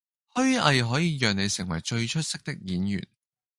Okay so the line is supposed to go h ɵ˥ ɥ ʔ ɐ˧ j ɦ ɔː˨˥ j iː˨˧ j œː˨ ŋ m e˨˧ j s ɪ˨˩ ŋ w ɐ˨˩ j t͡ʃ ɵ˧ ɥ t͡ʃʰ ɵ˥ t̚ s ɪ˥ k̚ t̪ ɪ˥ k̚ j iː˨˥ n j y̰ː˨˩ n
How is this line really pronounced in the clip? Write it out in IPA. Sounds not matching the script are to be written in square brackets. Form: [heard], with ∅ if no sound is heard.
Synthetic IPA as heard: h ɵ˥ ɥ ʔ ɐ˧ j ɦ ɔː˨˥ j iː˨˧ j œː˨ ŋ [n] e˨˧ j s ɪ˨˩ ŋ w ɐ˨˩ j t͡ʃ ɵ˧ ɥ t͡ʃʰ ɵ˥ t̚ s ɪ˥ k̚ t̪ ɪ˥ k̚ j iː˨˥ n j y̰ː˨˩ n